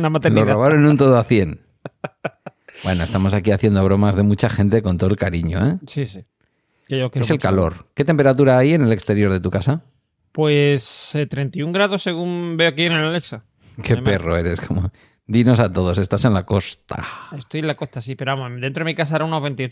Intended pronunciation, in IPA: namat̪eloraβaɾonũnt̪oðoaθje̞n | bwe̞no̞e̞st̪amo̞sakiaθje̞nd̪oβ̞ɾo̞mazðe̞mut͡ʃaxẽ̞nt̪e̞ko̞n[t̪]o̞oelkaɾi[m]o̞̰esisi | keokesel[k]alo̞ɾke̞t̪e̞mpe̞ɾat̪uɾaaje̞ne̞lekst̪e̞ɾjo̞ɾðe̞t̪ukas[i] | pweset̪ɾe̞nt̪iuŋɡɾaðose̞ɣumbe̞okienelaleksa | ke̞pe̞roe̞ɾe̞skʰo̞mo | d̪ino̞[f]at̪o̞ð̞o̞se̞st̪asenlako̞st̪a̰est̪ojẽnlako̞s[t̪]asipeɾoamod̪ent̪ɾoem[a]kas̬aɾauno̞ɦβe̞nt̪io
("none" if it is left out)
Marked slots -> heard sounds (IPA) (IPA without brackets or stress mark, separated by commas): t̪, ɲ, k, a, s, t̪, i